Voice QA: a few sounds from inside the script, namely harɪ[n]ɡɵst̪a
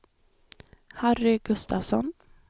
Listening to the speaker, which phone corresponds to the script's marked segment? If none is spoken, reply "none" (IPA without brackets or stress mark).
none